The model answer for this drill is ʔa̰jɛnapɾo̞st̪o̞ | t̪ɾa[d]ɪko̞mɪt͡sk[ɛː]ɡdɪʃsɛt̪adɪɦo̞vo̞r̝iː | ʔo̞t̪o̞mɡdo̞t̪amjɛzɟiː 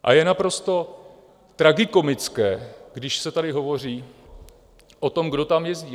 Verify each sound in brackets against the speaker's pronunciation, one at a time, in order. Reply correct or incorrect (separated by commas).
incorrect, correct